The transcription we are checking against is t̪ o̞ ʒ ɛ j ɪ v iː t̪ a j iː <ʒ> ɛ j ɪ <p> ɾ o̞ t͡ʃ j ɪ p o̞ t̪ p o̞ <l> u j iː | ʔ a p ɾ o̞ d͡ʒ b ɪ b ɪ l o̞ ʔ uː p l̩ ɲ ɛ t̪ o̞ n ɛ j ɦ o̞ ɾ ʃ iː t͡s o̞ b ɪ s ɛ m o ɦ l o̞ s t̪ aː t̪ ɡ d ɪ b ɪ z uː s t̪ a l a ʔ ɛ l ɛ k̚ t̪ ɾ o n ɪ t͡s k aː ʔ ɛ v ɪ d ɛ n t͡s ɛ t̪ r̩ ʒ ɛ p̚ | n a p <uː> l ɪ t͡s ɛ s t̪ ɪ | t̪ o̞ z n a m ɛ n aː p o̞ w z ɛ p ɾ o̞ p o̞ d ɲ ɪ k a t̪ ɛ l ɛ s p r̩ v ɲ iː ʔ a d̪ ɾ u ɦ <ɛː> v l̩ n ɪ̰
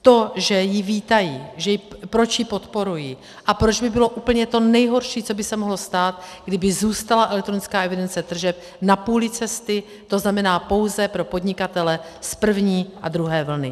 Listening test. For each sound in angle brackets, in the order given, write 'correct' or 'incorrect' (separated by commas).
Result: correct, correct, incorrect, correct, correct